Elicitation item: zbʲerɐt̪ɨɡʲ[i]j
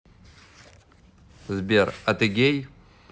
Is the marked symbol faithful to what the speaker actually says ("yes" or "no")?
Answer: no